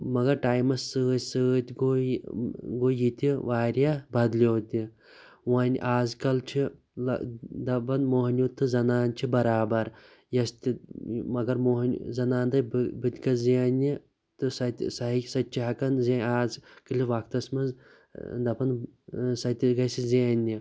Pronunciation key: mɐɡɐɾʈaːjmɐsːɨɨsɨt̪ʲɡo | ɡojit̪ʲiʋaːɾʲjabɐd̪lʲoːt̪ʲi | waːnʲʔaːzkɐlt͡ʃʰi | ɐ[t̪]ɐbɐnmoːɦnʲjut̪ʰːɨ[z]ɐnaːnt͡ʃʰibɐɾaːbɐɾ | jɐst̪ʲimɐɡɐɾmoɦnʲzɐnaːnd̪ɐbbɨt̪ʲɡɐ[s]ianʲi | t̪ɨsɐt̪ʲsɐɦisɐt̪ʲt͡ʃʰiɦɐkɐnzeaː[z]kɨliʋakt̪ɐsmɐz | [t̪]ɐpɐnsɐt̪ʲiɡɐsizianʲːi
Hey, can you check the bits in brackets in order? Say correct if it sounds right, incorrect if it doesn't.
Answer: incorrect: d̪, correct, incorrect: z, correct, incorrect: d̪

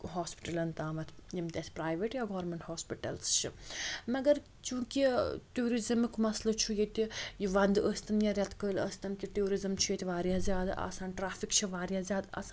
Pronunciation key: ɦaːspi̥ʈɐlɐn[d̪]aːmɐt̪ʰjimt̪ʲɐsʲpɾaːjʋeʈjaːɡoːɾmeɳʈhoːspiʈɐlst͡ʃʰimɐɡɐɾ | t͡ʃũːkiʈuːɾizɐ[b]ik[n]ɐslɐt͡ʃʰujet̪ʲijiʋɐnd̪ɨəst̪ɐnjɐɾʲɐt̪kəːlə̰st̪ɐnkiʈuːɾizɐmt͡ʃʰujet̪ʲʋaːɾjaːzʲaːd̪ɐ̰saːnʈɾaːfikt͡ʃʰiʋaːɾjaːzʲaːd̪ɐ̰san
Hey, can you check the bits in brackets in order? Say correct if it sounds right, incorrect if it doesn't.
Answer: incorrect: t̪, incorrect: m, incorrect: m

